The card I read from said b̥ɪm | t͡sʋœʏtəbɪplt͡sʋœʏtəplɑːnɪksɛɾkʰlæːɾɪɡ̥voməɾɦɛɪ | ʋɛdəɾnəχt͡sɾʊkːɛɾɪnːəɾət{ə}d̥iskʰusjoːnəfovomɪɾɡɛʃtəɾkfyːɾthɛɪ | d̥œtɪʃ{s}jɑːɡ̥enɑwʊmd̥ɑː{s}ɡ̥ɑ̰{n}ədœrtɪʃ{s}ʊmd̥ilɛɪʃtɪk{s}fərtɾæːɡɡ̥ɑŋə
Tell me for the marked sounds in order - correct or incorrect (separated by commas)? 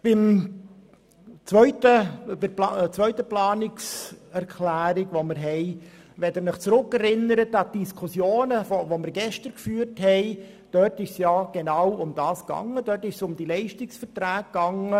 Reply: incorrect, correct, correct, incorrect, correct, correct